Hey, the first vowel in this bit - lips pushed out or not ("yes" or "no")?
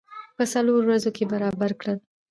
no